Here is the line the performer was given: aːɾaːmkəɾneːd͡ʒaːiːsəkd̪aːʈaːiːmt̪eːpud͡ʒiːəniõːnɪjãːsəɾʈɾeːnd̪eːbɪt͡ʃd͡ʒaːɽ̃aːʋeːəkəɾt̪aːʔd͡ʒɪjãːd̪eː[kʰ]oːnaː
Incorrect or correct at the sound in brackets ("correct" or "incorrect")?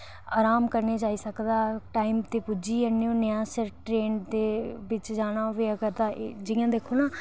correct